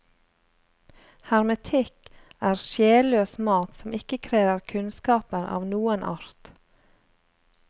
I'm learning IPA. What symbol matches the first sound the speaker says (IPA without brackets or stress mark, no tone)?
h